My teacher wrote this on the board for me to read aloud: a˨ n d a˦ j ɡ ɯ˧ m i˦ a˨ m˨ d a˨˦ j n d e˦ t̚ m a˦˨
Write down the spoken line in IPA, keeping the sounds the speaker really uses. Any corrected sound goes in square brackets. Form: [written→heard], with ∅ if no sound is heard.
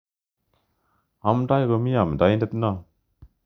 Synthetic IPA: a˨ [n→m] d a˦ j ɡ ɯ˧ m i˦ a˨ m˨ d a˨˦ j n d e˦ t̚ [m→n] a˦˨